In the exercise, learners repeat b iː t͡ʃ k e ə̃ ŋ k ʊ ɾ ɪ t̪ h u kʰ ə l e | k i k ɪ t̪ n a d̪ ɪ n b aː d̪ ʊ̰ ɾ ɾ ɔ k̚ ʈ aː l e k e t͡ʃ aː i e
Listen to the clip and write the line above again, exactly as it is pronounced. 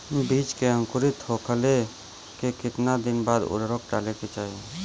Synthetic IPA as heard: b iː t͡ʃ k e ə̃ ŋ k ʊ ɾ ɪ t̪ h o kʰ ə l e | k e k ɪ t̪ n a d̪ ɪ n b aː d̪ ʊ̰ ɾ ɾ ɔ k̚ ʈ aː l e k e t͡ʃ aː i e